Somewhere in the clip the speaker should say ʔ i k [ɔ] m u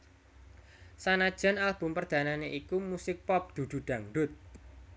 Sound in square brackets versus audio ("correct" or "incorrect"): incorrect